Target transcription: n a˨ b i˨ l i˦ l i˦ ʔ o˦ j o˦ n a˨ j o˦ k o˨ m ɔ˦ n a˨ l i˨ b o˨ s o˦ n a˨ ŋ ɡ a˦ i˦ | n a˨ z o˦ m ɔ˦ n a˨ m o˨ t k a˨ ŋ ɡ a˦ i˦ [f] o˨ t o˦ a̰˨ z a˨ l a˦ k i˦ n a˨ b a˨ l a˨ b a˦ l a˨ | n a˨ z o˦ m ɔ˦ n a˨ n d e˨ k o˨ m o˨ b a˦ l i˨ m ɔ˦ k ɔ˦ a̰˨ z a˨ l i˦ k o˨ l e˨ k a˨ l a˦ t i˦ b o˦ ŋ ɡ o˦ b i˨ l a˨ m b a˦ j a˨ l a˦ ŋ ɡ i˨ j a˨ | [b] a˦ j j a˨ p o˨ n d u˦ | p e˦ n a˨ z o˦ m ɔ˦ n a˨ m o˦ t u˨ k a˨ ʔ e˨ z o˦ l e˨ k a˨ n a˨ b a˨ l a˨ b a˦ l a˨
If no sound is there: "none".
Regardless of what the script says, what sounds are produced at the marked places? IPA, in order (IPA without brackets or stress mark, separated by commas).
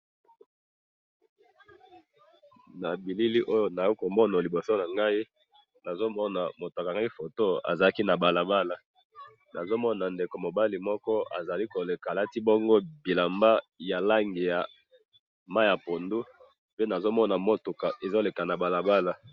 f, m